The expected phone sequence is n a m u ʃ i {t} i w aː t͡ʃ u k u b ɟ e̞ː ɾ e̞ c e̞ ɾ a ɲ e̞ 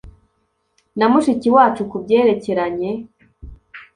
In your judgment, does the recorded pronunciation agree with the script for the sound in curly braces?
no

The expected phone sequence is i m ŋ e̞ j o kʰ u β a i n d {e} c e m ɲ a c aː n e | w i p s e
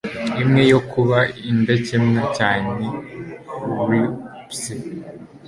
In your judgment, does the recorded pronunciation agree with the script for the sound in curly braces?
yes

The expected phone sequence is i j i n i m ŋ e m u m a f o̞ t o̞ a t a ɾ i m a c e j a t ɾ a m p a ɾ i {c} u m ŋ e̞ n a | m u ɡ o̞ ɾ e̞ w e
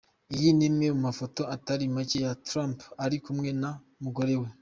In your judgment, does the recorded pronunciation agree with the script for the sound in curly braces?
no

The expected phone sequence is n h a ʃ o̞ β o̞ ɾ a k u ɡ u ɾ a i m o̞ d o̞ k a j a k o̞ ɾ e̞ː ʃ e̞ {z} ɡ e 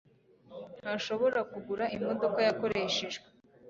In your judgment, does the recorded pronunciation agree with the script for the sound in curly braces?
no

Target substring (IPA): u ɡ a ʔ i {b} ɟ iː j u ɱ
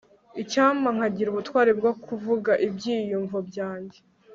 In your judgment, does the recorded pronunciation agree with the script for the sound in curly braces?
yes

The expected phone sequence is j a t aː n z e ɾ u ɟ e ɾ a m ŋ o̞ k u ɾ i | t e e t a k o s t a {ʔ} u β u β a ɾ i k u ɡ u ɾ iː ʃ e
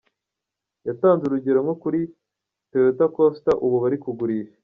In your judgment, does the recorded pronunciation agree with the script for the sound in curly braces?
yes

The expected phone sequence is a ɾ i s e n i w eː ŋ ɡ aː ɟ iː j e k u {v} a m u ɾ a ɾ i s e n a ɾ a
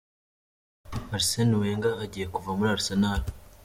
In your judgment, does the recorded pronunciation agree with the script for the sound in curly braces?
yes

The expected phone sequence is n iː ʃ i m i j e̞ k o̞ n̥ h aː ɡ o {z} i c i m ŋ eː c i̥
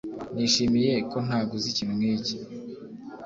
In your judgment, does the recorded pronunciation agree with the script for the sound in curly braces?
yes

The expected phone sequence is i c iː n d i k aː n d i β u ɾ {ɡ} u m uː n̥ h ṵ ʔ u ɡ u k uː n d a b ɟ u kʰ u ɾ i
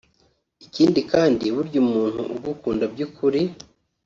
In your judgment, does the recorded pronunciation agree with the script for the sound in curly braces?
no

